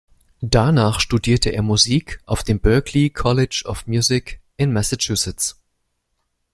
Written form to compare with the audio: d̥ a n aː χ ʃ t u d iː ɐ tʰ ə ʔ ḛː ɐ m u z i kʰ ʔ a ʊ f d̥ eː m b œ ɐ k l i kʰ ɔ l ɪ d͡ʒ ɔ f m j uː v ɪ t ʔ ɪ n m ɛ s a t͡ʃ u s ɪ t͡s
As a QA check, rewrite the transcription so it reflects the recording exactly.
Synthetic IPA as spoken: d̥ a n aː χ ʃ t u d iː ɐ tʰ ə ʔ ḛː ɐ m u z iː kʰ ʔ a ʊ f d̥ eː m b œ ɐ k l i kʰ ɔ l ɪ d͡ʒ ɔ f m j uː z ɪ k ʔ ɪ n m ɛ s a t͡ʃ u s ɪ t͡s